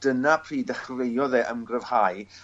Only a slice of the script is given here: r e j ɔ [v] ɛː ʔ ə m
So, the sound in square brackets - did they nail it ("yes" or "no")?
no